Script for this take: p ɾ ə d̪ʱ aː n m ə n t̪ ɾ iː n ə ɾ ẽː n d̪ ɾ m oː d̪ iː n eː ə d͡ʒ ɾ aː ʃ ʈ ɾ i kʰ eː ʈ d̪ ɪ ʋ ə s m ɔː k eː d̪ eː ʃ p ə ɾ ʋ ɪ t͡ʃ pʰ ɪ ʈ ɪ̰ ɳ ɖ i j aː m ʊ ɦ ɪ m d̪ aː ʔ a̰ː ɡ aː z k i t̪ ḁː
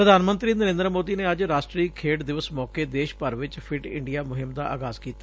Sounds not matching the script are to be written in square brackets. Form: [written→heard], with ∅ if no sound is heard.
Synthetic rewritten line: p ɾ ə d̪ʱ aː n m ə n t̪ ɾ iː n ə ɾ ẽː n d̪ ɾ m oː d̪ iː n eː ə d͡ʒ ɾ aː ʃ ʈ ɾ [i→iː] kʰ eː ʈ d̪ ɪ ʋ ə s m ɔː k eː d̪ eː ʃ p ə ɾ ʋ ɪ t͡ʃ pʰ ɪ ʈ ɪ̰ ɳ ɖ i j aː m ʊ ɦ ɪ m d̪ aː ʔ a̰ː ɡ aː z k [i→iː] t̪ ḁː